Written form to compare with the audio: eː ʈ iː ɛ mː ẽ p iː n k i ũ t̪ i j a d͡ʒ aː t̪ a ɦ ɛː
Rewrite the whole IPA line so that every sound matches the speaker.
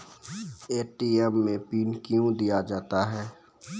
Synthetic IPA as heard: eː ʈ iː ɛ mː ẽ p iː n k j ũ d̪ i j a d͡ʒ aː t̪ a ɦ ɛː